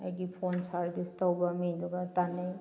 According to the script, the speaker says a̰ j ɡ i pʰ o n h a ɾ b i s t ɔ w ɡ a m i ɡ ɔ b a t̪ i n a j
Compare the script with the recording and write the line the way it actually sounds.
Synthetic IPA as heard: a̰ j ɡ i pʰ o n s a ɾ b i s t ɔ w b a m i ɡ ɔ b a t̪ a n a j